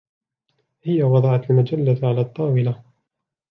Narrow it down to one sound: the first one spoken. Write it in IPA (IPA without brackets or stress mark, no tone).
h